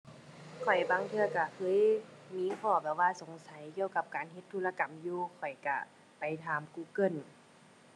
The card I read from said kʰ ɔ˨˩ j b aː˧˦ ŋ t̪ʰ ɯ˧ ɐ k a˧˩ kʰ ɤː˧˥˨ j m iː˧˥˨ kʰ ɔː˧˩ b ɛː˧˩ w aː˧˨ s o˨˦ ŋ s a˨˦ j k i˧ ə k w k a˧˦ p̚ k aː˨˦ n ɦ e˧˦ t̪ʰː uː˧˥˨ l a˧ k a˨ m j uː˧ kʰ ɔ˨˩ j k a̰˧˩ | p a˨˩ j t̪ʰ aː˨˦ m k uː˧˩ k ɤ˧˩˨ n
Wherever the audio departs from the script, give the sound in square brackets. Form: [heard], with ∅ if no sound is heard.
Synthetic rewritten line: kʰ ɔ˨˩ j b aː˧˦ ŋ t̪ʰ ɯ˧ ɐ k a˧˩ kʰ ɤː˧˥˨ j m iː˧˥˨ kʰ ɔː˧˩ b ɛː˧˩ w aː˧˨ s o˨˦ ŋ s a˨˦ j k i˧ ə [∅] w k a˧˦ p̚ k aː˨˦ n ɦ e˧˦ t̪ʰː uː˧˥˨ l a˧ k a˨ m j uː˧ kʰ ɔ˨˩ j k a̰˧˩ | p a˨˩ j t̪ʰ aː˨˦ m k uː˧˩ k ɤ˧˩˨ n